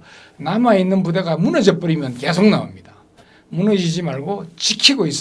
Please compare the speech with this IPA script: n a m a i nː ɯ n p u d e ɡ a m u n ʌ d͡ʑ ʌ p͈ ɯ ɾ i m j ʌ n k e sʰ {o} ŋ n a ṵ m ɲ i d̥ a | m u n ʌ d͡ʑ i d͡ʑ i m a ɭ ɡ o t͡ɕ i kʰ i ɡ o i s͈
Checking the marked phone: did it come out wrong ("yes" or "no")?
no